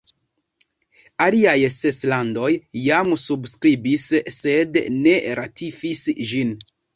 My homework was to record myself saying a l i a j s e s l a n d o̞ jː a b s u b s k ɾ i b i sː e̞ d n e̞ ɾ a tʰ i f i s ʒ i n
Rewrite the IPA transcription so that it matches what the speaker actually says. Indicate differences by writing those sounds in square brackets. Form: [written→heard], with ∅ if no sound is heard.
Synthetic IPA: a l i a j s e s l a n d o̞ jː a [b→m] s u b s k ɾ i b i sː e̞ d n e̞ ɾ a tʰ i f i s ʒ i n